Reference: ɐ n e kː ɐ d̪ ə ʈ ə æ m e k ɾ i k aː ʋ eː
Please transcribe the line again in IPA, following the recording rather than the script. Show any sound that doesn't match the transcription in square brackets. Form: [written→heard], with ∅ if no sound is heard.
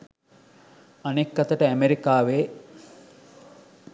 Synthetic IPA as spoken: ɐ n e kː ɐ [d̪→t̪] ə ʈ ə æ m e [k→∅] ɾ i k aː ʋ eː